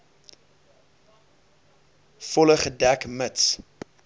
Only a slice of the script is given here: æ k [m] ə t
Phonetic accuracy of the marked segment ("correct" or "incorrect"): correct